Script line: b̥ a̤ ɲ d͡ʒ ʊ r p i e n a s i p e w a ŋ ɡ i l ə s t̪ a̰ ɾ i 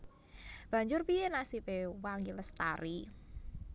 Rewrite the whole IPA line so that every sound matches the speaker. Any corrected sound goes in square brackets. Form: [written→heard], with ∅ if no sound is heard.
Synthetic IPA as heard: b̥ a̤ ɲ d͡ʒ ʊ r p i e n a s i p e w a ŋ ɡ i l ə s t̪ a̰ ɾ i